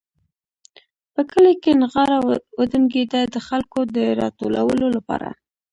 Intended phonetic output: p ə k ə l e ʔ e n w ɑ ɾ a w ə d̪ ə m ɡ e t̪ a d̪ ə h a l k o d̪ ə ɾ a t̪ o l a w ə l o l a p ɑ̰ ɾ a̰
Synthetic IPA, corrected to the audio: p ə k ə l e k e n ɣ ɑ ɾ a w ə d̪ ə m ɡ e d̪ a d̪ ə x a l k o d̪ ə ɾ ɑ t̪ o l a w ə l o l a p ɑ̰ ɾ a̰